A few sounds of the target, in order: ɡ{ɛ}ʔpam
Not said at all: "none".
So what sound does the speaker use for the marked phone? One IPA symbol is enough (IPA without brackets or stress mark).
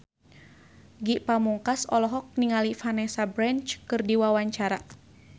i